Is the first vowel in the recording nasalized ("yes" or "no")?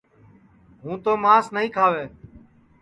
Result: yes